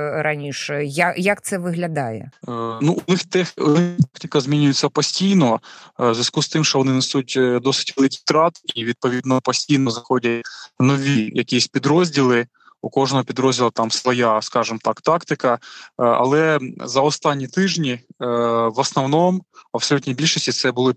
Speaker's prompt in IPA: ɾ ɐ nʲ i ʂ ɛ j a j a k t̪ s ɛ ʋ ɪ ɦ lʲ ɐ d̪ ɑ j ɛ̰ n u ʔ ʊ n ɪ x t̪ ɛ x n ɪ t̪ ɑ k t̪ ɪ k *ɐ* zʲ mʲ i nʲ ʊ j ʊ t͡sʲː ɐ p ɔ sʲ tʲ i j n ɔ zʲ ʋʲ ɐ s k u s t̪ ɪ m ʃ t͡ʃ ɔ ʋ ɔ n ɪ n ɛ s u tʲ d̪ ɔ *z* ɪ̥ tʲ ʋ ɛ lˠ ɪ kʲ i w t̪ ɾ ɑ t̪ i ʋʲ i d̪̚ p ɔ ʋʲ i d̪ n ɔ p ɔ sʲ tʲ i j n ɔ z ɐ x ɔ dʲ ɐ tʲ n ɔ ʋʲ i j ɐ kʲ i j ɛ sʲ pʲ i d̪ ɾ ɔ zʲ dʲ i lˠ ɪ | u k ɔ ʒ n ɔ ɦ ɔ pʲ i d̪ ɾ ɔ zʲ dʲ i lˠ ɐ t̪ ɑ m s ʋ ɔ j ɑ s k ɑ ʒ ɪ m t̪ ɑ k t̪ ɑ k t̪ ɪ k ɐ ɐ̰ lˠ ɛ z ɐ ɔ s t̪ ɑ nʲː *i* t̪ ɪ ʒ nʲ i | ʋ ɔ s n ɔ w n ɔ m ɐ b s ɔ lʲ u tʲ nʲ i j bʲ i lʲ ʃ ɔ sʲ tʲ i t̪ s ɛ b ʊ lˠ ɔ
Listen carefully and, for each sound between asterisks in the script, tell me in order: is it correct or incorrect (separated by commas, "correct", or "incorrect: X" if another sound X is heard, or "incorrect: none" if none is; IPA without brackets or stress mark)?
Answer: correct, incorrect: s, correct